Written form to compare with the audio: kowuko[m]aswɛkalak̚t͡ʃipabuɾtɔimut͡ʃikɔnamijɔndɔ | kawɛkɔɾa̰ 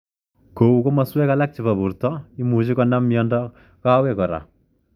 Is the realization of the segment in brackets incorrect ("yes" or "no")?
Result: no